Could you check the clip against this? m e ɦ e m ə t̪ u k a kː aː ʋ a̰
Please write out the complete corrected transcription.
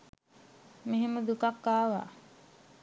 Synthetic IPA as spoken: m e ɦ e m ə d̪ u k a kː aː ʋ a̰